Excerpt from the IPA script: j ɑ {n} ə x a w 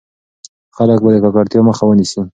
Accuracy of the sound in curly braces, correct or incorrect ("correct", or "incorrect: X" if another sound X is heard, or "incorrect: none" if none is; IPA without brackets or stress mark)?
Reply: incorrect: m